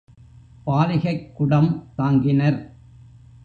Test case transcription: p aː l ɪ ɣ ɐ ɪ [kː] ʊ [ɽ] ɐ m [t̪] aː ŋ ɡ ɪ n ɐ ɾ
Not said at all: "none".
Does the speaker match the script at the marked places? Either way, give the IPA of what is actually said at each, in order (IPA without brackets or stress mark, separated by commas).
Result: kː, ɽ, t̪